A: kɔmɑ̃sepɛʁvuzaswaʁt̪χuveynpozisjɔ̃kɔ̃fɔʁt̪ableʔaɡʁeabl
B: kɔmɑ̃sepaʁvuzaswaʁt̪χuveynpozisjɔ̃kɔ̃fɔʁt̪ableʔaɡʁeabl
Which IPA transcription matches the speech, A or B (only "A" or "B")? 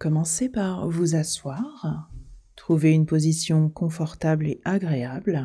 B